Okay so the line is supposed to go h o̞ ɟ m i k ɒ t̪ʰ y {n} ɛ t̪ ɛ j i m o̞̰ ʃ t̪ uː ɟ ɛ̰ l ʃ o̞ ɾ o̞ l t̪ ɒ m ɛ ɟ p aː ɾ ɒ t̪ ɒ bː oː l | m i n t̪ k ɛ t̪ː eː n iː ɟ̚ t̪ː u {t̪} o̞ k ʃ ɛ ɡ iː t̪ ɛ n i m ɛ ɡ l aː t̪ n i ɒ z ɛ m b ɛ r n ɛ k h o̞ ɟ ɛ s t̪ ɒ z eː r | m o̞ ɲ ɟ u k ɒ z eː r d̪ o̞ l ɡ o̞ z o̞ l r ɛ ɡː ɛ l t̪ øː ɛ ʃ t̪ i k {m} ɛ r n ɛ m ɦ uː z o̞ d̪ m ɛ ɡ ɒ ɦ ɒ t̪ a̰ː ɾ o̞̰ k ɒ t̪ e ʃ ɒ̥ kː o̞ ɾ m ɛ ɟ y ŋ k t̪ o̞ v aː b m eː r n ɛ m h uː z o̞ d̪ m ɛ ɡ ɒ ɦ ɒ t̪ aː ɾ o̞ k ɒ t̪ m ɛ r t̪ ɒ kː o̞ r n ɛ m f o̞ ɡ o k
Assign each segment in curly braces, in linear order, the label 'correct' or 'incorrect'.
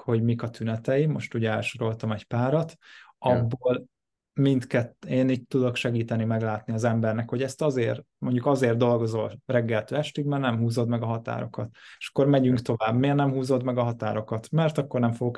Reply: correct, incorrect: d̪, correct

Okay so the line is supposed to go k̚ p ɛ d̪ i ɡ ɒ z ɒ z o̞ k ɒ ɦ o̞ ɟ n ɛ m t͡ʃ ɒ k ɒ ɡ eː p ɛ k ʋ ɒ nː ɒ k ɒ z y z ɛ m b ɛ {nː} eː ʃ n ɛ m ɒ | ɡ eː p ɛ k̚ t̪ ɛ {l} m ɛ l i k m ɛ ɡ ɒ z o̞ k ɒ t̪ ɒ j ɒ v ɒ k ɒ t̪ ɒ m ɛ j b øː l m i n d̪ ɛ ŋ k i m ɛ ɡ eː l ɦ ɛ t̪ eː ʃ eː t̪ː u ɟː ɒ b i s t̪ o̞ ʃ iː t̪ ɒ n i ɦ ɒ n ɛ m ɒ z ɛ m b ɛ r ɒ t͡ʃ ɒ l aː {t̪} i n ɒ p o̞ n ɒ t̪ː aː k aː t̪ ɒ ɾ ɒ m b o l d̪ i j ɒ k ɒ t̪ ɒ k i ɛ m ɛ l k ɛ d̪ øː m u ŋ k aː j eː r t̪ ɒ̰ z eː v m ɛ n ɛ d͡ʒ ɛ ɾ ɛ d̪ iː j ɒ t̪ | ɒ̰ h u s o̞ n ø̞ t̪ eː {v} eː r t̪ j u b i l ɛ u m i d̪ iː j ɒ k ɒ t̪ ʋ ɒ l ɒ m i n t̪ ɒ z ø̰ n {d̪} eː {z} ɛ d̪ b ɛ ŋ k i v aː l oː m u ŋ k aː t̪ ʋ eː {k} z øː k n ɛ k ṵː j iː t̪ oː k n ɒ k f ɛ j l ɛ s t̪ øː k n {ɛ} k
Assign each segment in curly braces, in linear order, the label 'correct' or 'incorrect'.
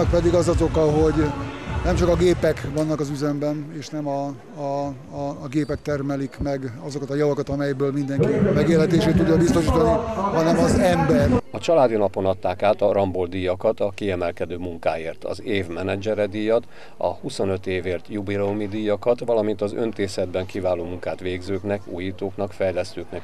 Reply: incorrect: n, incorrect: r, incorrect: d̪, correct, incorrect: t̪, incorrect: s, incorrect: ɡ, correct

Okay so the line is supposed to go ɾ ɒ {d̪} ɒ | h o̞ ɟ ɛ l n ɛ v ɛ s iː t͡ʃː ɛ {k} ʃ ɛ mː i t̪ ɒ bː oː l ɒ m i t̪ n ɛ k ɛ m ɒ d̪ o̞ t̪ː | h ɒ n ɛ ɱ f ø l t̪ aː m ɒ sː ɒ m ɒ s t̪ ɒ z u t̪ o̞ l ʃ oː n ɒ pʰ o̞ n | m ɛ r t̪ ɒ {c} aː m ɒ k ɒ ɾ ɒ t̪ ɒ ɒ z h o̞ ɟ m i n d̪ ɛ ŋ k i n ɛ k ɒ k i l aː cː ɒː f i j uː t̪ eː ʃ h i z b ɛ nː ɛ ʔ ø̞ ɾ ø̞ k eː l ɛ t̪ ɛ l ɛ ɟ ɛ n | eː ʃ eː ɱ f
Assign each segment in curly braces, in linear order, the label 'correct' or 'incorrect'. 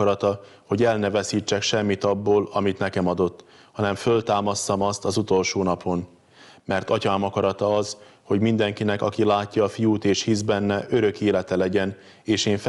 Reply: incorrect: t̪, correct, correct

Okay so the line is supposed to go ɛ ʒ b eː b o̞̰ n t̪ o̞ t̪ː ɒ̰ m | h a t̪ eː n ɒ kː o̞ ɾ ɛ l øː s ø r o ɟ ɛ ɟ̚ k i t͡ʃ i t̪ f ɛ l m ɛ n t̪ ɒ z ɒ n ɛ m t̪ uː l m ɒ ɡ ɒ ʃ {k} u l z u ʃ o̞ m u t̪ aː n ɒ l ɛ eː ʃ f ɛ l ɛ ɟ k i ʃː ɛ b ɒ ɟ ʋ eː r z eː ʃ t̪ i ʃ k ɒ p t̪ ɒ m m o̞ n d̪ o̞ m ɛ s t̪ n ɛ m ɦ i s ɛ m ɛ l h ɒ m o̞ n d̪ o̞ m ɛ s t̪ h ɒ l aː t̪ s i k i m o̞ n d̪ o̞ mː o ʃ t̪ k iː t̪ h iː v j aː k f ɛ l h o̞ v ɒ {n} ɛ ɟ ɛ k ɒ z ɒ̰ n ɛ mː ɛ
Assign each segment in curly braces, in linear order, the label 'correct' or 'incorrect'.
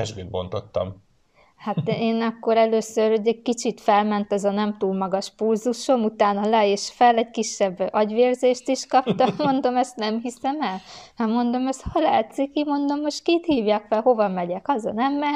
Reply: incorrect: p, incorrect: m

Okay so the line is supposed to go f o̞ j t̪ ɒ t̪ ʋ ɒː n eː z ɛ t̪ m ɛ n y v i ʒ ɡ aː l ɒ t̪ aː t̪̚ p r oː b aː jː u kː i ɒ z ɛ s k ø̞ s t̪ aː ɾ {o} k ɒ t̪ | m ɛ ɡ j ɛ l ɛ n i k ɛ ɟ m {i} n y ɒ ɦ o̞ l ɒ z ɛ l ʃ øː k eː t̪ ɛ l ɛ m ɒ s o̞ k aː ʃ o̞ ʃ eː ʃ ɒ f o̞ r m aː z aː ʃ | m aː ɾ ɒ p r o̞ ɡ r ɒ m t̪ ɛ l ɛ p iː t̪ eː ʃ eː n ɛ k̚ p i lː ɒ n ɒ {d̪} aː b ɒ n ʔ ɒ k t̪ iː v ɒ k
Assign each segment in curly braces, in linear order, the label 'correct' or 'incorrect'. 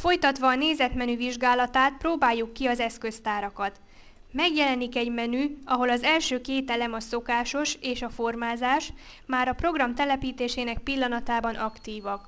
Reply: incorrect: ɒ, incorrect: ɛ, incorrect: t̪

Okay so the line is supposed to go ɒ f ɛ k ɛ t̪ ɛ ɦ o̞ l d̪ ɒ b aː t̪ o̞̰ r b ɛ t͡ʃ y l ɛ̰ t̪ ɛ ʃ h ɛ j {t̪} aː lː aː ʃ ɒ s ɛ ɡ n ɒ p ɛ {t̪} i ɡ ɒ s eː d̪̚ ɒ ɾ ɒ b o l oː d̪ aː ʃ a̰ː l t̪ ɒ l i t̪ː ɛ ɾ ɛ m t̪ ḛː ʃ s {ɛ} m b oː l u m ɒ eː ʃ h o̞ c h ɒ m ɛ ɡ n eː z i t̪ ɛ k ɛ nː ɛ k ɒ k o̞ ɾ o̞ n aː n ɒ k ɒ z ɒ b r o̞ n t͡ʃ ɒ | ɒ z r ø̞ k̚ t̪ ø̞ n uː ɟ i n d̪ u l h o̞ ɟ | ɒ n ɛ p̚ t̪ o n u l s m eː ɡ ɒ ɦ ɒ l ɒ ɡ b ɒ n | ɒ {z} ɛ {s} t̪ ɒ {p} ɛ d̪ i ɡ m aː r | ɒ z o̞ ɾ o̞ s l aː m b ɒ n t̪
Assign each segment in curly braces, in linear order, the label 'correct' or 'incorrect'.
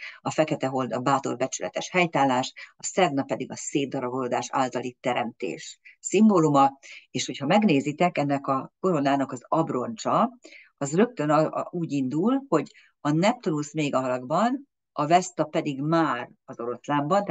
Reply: correct, incorrect: d̪, incorrect: i, incorrect: v, correct, correct

